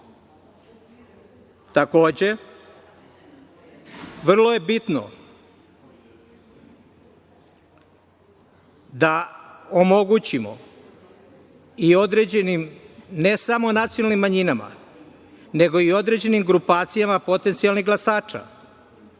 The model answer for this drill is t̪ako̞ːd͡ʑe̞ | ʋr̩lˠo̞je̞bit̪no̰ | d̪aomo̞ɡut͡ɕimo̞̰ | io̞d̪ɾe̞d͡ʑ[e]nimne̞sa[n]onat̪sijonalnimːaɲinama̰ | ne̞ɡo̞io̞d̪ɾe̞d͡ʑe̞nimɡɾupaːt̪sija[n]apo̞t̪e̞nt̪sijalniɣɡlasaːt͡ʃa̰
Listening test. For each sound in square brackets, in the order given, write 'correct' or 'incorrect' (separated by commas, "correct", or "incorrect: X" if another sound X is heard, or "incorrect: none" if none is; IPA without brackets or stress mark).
correct, incorrect: m, incorrect: m